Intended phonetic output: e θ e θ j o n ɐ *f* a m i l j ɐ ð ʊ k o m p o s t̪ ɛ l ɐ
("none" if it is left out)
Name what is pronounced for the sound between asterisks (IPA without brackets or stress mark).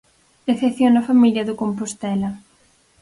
f